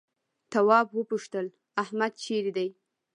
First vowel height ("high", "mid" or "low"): low